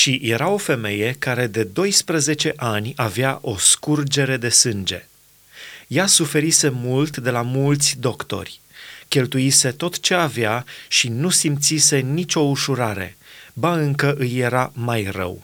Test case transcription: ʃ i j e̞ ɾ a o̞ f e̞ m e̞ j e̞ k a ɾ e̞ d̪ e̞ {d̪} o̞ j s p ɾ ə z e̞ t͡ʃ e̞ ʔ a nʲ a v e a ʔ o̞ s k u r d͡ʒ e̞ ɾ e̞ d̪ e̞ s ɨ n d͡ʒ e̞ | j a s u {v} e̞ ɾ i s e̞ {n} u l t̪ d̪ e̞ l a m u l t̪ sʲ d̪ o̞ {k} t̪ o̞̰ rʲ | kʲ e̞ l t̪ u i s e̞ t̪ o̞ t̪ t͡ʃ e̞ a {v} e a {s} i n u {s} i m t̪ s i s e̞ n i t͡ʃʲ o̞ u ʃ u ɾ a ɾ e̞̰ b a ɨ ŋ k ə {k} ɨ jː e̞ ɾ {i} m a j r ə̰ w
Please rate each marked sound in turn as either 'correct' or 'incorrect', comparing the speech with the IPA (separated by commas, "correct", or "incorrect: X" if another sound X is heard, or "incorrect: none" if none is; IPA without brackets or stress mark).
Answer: correct, incorrect: f, incorrect: m, correct, correct, incorrect: ʃ, correct, incorrect: ʔ, incorrect: a